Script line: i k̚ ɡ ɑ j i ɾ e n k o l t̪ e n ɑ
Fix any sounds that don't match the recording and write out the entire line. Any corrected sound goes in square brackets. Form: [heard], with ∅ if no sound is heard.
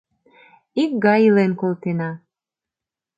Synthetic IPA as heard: i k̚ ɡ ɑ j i [l] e n k o l t̪ e n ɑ